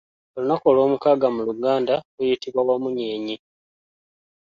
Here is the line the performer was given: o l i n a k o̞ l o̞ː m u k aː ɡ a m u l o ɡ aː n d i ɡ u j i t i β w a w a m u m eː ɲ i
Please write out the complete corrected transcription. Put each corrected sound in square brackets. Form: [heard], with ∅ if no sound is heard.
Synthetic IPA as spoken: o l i n a k o̞ l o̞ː m u k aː ɡ a m u l [u] ɡ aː n d [a] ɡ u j i t i β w a w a m u [ɲ] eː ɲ i

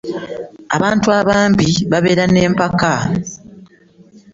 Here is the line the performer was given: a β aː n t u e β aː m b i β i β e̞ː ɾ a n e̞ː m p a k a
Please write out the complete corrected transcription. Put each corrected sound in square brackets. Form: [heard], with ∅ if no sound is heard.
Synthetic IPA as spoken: a β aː n t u [a] β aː m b i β [a] β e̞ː ɾ a n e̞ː m p a k a

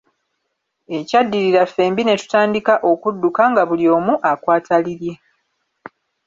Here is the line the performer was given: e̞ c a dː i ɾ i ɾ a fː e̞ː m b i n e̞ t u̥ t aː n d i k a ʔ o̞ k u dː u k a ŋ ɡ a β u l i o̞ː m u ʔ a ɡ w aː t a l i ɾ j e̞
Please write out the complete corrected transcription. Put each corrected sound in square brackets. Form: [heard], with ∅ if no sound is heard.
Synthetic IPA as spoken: e̞ c a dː i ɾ i ɾ a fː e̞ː m b i n e̞ t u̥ t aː n d i k a ʔ o̞ k u dː u k a ŋ ɡ a β u l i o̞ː m u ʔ a [k] w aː t a l i ɾ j e̞

